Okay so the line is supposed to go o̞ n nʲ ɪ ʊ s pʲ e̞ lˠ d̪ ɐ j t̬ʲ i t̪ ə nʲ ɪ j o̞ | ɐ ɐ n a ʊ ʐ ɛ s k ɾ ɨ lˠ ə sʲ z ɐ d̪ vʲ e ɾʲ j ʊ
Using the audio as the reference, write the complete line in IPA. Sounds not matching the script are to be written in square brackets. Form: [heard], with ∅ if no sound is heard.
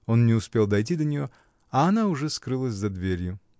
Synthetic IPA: o̞ n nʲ ɪ ʊ s pʲ e̞ lˠ d̪ ɐ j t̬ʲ i [d̪] ə nʲ ɪ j o̞ | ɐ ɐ n a ʊ ʐ ɛ s k ɾ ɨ lˠ ə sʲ z ɐ d̪ vʲ e ɾʲ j ʊ